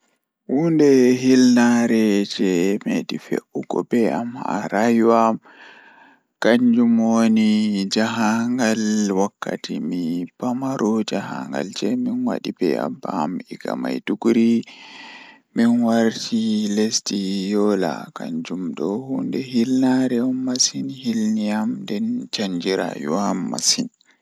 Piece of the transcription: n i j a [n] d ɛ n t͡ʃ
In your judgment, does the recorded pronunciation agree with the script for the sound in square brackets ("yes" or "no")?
no